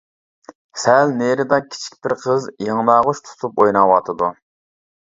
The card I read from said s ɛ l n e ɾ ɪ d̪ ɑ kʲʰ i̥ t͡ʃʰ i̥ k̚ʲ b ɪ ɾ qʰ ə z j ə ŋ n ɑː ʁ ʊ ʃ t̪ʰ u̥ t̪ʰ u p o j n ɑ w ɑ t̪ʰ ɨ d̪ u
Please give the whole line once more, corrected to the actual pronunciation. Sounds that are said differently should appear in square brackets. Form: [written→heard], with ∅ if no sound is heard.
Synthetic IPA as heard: s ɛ l n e ɾ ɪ d̪ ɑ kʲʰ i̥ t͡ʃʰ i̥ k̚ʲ b ɪ ɾ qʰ ə z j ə ŋ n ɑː ʁ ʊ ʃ t̪ʰ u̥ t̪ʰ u p o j n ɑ w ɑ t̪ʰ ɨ d̪ u